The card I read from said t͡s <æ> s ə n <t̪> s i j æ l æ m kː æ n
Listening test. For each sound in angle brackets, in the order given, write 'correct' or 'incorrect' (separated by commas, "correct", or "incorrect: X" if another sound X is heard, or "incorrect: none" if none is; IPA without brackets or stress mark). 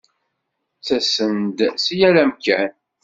correct, incorrect: d̪